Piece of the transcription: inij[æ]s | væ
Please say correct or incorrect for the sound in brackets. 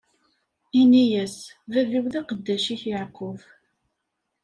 correct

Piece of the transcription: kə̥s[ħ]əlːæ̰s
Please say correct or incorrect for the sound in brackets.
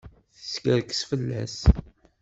incorrect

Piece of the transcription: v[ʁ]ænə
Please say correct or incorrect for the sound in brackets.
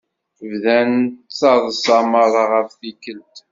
incorrect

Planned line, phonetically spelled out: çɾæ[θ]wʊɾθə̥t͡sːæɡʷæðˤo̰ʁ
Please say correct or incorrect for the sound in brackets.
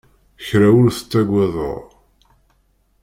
incorrect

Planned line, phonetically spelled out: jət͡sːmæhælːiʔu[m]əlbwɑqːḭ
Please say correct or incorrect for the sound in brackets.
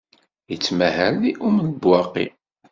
correct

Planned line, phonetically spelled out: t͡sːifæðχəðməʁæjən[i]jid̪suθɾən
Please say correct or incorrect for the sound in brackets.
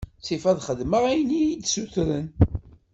correct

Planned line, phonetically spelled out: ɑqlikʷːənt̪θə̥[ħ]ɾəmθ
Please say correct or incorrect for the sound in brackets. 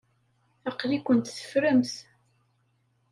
incorrect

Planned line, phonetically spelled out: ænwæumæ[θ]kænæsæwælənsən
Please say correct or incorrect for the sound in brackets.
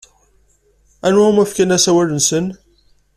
incorrect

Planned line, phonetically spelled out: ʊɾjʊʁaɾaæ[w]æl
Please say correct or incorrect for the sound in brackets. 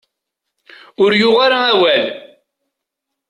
correct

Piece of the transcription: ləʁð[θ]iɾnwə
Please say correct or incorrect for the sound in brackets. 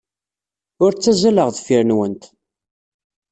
incorrect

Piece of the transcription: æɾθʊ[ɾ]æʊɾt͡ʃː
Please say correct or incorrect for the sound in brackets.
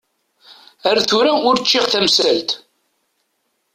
correct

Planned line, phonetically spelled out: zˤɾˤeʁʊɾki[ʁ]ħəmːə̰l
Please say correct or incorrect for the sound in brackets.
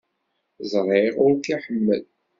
incorrect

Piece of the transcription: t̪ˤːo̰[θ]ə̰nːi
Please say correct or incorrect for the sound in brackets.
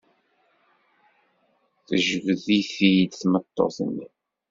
correct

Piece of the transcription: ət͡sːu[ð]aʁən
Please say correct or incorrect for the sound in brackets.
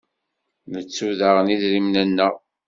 correct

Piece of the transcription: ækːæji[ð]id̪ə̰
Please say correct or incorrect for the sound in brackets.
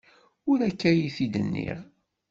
incorrect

